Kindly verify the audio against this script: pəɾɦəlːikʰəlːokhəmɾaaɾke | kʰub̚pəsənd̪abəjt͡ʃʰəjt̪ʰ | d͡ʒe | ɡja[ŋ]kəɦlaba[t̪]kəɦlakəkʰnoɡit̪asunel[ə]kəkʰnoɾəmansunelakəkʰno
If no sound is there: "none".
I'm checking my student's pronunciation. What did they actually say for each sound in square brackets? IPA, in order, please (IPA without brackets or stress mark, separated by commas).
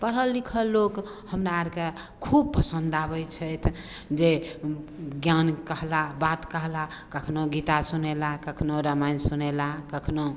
n, t̪, a